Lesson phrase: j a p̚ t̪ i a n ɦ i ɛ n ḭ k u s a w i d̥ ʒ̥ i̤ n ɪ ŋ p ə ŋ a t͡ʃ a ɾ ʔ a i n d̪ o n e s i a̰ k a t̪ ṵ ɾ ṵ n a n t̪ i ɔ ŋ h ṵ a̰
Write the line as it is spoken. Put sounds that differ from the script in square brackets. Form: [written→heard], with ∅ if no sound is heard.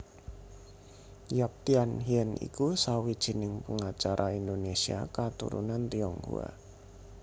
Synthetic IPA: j a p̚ t̪ i a n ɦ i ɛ n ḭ k u s a w i d̥ ʒ̥ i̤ n ɪ ŋ p ə ŋ a t͡ʃ a ɾ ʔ a i n d̪ o n e s i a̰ k a t̪ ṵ ɾ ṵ n a n t̪ i ɔ ŋ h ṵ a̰